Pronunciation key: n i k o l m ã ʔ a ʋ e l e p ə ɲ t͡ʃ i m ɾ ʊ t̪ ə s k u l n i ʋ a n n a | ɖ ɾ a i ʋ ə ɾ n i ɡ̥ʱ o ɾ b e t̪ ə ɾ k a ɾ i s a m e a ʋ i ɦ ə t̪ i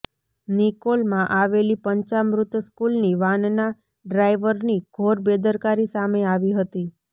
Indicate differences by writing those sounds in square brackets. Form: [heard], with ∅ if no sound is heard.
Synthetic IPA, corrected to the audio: n i k o l m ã ʔ a ʋ e l [i] p ə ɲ t͡ʃ [a] m ɾ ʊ t̪ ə s k u l n i ʋ a n n a | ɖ ɾ a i ʋ ə ɾ n i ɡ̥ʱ o ɾ b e [d̪] ə ɾ k a ɾ i s a m e a ʋ i ɦ ə t̪ i